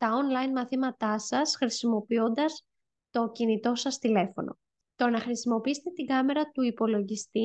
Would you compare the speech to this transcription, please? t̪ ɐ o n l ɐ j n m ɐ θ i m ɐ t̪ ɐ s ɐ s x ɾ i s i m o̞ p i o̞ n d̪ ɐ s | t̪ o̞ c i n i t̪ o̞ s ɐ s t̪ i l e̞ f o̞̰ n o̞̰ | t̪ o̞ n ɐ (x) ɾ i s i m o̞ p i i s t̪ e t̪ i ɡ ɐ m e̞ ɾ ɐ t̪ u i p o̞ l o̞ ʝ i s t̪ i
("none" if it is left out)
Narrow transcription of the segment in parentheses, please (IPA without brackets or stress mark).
x